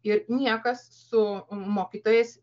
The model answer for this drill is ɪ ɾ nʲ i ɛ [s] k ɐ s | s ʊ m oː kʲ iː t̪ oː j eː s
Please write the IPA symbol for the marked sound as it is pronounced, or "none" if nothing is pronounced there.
none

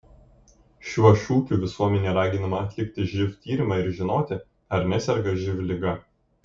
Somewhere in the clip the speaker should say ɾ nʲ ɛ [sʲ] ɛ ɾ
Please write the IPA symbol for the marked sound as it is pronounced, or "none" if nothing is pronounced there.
sʲ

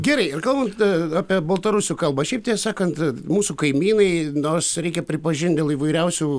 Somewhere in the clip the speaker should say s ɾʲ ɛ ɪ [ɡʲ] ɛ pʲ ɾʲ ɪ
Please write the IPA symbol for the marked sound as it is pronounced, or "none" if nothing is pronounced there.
kʲ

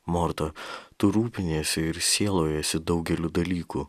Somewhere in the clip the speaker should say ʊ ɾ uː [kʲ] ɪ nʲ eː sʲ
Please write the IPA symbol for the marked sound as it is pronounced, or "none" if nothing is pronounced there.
pʲ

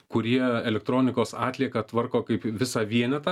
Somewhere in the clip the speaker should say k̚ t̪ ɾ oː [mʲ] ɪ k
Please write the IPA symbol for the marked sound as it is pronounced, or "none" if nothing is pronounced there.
nʲ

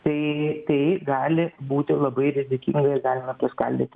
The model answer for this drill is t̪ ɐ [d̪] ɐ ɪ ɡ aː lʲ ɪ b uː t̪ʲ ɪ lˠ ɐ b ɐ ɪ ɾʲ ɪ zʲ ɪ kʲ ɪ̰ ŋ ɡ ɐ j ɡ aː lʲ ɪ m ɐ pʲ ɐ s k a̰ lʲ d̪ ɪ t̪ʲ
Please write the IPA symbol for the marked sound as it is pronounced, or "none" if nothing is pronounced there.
t̪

